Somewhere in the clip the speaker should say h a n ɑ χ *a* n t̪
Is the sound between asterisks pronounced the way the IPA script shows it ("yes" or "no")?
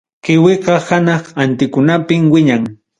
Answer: yes